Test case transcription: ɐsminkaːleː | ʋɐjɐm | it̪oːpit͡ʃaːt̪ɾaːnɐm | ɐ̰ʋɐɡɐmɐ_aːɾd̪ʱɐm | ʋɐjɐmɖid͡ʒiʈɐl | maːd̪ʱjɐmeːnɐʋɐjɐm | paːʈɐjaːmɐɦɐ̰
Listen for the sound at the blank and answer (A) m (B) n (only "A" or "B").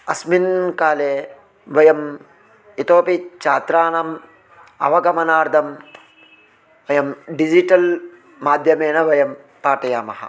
B